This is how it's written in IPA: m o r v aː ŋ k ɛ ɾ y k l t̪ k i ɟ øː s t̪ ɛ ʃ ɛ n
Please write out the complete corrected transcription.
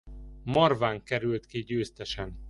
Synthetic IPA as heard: m ɒ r v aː ŋ k ɛ ɾ y l t̪ k i ɟ øː s t̪ ɛ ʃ ɛ n